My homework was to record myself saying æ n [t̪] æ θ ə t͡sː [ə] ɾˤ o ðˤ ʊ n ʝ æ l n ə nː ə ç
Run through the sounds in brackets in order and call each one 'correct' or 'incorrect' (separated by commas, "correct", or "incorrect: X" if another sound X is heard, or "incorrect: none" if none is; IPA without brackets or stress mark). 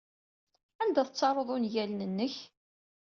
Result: incorrect: d̪, incorrect: ɑ